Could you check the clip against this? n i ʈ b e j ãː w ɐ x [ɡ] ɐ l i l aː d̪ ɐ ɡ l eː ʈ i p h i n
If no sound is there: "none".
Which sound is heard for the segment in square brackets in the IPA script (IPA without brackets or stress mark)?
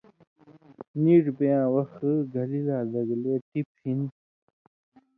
ɡ